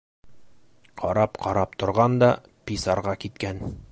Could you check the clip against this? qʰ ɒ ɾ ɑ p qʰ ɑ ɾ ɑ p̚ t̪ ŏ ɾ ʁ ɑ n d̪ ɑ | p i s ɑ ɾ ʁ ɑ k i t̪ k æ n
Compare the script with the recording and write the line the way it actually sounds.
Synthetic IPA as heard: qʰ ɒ ɾ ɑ p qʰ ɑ ɾ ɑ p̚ t̪ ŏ ɾ ʁ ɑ n d̪ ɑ | p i s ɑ ɾ ʁ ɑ k i t̪ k æ n